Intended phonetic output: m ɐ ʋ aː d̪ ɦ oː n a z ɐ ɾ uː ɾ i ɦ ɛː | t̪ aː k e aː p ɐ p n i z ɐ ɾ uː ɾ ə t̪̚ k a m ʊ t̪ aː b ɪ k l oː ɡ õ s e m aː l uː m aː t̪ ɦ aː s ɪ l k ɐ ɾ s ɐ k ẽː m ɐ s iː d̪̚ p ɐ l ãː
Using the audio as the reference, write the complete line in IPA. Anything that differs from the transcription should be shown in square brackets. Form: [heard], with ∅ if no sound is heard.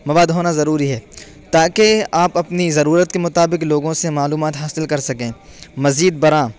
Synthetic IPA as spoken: m ɐ ʋ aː d̪ ɦ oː n a z ɐ ɾ uː ɾ i ɦ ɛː | t̪ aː k e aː p ɐ p n i z ɐ ɾ uː ɾ ə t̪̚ k [e] m ʊ t̪ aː b ɪ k l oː ɡ õ s e m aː l uː m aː t̪ ɦ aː s ɪ l k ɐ ɾ s ɐ k ẽː m ɐ [z] iː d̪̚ [b] ɐ [ɾ] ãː